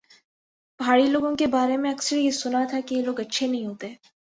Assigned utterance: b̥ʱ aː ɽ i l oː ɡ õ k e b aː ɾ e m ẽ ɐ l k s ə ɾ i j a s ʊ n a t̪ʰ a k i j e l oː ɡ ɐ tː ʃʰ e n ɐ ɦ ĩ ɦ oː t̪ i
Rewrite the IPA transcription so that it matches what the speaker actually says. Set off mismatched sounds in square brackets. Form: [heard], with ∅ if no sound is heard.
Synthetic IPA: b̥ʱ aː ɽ i l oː ɡ õ k e b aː ɾ e m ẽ ɐ [∅] k s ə ɾ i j [e] s ʊ n a t̪ʰ a k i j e l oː ɡ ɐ tː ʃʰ e n ɐ ɦ ĩ ɦ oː t̪ [e]